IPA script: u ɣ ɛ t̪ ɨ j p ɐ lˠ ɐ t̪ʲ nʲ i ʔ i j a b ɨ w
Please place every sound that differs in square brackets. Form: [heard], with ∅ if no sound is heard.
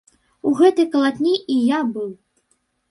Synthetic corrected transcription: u ɣ ɛ t̪ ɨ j [k] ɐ lˠ [a] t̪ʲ nʲ i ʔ i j a b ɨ w